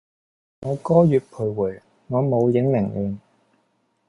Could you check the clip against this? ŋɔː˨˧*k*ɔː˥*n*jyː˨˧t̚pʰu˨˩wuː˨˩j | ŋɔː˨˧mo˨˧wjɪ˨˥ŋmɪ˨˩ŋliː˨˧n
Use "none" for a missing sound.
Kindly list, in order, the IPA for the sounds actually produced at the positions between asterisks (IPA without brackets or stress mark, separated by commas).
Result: k, none